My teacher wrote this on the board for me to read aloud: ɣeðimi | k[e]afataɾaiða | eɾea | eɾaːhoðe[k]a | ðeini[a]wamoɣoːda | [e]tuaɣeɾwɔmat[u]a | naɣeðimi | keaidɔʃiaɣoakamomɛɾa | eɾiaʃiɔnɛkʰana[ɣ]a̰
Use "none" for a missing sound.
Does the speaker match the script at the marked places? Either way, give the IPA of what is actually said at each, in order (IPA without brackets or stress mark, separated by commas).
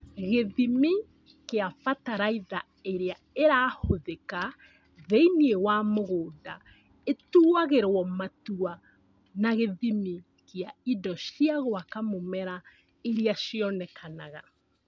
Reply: e, k, e, e, u, ɣ